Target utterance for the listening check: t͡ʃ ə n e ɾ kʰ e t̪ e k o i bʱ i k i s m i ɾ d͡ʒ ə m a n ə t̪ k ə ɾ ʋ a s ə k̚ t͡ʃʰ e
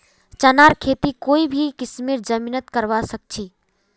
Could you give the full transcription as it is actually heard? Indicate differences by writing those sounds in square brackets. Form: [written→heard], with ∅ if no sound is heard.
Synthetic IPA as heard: t͡ʃ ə n [e→a] ɾ kʰ e t̪ [e→i] k o i bʱ i k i s m i ɾ d͡ʒ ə m [a→i] n ə t̪ k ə ɾ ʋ a s ə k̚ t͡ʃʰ [e→i]